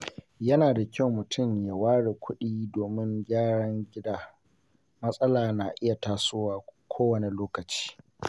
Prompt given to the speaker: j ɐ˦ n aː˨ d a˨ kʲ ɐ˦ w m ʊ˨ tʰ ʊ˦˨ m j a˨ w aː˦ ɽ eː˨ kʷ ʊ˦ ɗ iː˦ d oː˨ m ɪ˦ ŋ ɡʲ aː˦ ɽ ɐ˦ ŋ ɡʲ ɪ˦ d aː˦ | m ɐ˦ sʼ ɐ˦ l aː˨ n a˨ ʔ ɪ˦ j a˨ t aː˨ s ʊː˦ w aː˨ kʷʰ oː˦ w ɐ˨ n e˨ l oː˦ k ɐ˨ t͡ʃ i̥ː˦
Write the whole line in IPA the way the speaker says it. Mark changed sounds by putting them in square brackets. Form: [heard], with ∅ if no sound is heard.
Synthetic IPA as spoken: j ɐ˦ n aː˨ d a˨ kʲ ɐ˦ w m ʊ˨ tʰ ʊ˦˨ m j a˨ w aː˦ ɽ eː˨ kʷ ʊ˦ ɗ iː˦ d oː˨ m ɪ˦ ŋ ɡʲ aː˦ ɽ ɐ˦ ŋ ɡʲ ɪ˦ d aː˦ | m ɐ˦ sʼ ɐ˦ l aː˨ n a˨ ʔ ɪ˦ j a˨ t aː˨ s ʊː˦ w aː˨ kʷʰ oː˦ w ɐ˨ n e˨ l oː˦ k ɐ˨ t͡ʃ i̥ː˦